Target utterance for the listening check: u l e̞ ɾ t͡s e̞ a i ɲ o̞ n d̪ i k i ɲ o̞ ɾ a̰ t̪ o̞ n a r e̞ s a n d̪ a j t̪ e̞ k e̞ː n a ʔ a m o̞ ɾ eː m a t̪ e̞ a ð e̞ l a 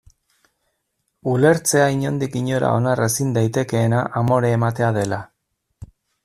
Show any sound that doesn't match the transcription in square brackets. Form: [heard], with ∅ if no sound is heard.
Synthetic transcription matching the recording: u l e̞ ɾ t͡s e̞ a i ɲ o̞ n d̪ i k i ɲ o̞ ɾ a̰ [∅] o̞ n a r e̞ s [i] n d̪ a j t̪ e̞ k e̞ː n a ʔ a m o̞ ɾ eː m a t̪ e̞ a ð e̞ l a